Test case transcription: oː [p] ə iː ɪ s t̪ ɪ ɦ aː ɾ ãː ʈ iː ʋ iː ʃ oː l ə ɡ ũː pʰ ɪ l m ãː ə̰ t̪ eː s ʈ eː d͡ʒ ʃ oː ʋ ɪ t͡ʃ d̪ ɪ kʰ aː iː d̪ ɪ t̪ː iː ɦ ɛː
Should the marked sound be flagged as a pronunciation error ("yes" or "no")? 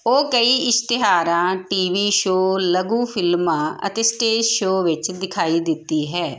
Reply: yes